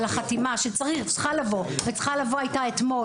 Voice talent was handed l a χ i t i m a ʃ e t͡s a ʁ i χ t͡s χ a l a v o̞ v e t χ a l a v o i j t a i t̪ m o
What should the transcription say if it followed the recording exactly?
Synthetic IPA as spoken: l a χ a t i m a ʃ e t͡s a ʁ i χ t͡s χ a l a v o̞ v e t͡s χ a l a v o a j t a e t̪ m o